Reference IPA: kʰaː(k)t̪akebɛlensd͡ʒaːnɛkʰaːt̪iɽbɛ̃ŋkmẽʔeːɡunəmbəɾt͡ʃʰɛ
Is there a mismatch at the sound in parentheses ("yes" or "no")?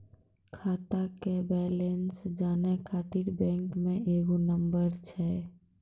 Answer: yes